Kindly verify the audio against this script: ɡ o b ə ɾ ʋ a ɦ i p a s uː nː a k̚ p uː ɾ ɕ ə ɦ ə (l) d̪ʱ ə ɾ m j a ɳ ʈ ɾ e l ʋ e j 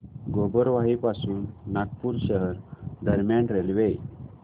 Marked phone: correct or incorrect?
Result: incorrect